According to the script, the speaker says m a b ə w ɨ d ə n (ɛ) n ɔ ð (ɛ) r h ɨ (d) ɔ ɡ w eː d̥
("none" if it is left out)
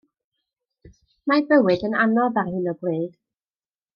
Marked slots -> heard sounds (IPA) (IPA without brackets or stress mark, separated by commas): a, a, n